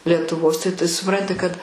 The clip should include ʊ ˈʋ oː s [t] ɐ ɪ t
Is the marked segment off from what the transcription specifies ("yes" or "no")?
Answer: no